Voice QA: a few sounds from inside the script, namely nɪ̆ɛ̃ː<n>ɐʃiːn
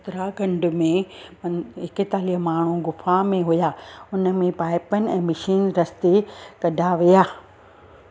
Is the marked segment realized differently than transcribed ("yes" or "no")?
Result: yes